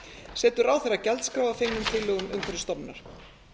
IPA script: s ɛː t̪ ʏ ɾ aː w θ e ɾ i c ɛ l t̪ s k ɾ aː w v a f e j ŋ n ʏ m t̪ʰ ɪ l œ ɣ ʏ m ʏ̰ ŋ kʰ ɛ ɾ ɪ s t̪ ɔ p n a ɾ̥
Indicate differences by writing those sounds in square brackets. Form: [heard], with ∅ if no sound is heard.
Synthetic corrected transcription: s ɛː t̪ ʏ ɾ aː w θ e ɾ [a] c ɛ l t̪ s k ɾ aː w v a f e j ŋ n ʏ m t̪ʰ ɪ l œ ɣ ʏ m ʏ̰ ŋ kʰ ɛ ɾ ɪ s t̪ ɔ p n a ɾ̥